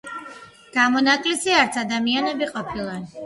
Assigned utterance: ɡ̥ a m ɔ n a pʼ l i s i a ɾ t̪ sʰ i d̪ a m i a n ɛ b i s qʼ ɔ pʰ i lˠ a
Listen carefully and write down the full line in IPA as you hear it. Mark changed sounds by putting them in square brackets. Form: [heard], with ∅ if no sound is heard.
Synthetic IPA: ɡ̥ a m ɔ n a [kʼ] l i s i a ɾ t̪ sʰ [a] d̪ a m i a n ɛ b i [∅] qʼ ɔ pʰ i lˠ a